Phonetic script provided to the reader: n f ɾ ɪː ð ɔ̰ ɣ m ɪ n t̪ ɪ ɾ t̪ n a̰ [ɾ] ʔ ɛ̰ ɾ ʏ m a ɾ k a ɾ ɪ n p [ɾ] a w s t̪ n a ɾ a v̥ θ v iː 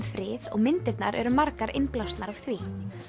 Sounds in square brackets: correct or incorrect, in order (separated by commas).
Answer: correct, incorrect